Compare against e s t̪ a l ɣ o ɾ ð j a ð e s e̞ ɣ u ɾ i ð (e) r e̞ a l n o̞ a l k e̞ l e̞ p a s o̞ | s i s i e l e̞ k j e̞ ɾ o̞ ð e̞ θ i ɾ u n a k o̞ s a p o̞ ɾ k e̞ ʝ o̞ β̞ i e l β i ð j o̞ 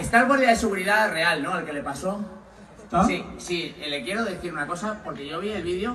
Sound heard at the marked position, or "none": a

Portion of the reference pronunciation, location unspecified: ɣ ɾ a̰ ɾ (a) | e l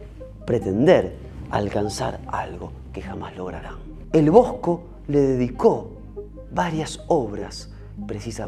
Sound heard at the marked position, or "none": a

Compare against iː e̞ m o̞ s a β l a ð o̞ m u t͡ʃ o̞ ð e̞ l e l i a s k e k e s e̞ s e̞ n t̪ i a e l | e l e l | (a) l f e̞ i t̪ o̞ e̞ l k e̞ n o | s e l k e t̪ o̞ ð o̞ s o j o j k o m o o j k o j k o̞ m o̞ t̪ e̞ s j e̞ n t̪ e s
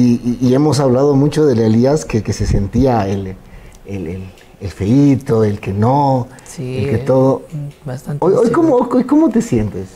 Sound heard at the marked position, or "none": e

